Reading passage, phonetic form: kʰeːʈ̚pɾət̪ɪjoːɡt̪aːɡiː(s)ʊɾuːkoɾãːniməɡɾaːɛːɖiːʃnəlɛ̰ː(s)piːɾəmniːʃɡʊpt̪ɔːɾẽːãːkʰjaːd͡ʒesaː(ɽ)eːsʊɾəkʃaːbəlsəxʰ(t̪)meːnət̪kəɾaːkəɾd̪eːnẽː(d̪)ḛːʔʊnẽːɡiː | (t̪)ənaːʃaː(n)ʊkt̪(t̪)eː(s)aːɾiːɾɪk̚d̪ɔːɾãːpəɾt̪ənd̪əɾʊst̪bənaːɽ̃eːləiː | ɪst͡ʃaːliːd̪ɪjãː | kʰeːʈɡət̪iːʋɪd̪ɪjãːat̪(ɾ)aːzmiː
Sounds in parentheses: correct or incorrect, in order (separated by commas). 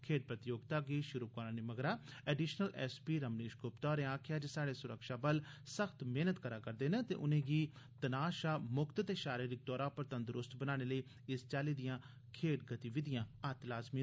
incorrect, correct, correct, correct, incorrect, correct, incorrect, correct, incorrect, incorrect